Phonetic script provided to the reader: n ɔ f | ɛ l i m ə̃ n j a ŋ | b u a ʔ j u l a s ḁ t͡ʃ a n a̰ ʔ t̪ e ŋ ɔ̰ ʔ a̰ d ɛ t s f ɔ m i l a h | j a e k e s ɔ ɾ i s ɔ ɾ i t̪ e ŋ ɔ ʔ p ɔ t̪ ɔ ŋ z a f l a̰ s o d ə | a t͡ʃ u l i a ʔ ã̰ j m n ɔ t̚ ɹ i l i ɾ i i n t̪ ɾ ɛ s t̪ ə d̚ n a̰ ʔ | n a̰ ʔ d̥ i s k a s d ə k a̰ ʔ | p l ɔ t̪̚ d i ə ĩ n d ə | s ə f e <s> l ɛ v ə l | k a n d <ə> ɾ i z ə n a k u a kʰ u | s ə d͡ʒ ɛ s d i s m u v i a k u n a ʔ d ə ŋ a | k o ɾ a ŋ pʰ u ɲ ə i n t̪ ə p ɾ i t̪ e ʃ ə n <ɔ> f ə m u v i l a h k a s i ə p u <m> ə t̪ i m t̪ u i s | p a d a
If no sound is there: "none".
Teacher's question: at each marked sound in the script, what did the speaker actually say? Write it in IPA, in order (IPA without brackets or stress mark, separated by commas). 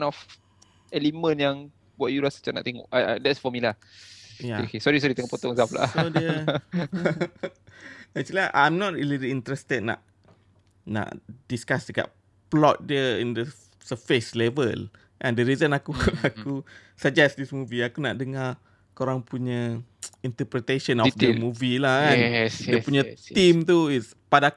s, ə, ɔ, ɲ